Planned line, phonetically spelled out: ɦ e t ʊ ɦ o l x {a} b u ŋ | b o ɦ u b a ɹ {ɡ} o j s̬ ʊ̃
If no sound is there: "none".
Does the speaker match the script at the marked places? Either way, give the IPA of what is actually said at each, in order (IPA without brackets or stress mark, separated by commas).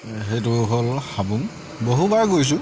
a, ɡ